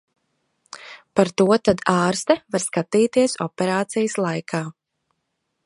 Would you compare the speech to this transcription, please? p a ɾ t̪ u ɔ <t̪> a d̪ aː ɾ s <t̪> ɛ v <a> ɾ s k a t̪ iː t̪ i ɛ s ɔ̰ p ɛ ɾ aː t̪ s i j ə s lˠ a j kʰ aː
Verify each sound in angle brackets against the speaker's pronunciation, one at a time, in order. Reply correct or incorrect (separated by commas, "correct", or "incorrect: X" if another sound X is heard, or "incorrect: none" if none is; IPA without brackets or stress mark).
correct, correct, correct